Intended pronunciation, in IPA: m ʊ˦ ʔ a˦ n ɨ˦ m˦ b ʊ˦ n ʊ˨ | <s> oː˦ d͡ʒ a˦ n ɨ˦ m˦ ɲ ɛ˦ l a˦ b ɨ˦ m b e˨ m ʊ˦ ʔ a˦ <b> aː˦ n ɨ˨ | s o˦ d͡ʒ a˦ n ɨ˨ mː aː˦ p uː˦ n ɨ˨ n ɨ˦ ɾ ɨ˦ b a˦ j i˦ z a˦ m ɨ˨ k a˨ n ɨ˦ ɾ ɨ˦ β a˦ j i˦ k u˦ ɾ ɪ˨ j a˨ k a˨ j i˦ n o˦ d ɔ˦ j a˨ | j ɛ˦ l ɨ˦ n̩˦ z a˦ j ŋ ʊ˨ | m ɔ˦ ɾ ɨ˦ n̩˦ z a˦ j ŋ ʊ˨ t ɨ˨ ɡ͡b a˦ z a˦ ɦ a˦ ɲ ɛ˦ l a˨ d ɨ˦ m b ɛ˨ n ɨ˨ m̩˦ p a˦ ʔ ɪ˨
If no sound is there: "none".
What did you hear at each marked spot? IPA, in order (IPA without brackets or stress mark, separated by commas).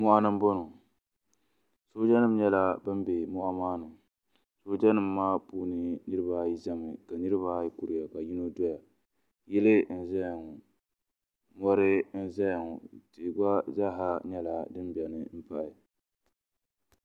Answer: s, m